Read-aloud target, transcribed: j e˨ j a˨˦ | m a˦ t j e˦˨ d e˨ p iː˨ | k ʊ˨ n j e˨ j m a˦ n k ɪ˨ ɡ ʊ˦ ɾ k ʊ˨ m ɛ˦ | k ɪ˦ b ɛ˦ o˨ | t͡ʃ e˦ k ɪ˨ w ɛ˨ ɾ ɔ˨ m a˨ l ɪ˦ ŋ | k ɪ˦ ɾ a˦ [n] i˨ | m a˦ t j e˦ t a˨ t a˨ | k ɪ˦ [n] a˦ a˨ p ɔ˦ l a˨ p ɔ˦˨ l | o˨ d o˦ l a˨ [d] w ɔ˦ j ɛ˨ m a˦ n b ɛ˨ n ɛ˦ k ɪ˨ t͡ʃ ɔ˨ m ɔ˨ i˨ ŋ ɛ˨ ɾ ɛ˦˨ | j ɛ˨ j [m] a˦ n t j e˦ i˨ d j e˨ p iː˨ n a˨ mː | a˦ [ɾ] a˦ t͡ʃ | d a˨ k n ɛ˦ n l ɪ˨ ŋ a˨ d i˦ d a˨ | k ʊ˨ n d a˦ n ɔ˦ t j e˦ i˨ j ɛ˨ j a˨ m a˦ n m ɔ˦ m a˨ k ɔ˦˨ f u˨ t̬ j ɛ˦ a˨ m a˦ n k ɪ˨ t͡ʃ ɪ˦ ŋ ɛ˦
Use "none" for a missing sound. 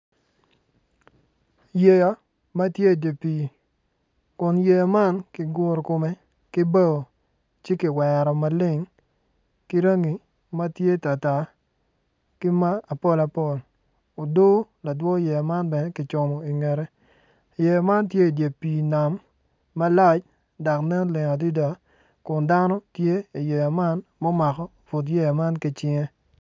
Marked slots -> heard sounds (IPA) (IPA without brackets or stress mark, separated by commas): ŋ, m, d, m, l